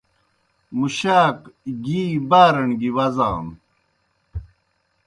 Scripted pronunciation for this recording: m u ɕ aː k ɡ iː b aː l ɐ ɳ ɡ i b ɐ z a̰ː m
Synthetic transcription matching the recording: m u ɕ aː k ɡ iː b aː ɾ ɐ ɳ ɡ i w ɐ z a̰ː m

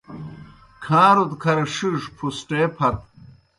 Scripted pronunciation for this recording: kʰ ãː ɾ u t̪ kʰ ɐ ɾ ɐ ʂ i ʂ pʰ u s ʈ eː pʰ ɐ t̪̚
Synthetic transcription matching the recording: kʰ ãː ɾ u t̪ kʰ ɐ ɾ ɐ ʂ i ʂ pʰ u s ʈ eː pʰ ɐ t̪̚

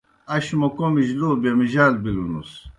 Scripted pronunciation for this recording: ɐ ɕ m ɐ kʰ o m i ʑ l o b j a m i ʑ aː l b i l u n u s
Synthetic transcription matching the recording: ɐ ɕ m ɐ k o m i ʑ l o b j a m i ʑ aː l b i l u n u s

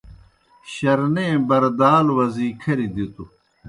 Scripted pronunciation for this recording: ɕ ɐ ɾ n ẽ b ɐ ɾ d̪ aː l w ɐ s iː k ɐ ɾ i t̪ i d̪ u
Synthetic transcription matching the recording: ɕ ɐ ɾ n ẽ b ɐ ɾ d̪ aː l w ɐ z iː kʰ ɐ ɾ i d̪ i t̪ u

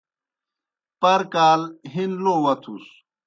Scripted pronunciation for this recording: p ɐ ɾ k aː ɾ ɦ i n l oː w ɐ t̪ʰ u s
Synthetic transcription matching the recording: p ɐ ɾ k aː l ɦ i n l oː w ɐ t̪ʰ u s

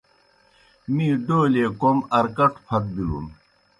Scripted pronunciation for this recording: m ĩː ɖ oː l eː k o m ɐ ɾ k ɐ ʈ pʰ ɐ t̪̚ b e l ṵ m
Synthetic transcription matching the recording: m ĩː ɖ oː l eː k o m ɐ ɾ k ɐ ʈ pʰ ɐ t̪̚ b i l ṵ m

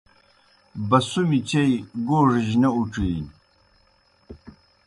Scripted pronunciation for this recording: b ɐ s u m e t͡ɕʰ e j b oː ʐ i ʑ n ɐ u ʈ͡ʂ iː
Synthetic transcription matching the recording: b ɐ s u m i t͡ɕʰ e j ɡ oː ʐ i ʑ n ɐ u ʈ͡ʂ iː

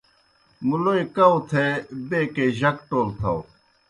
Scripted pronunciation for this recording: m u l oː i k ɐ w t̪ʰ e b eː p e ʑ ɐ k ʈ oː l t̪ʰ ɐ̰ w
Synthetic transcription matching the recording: m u l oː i k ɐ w t̪ʰ e b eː k e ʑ ɐ k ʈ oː l t̪ʰ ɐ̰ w

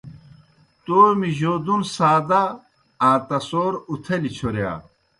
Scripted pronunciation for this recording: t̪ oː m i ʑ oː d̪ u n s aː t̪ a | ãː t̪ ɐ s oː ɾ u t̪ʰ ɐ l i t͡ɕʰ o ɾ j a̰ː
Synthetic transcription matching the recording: t̪ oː m i ʑ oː d̪ u n s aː d̪ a | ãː t̪ ɐ s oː ɾ u t̪ʰ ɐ l i t͡ɕʰ o ɾ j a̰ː

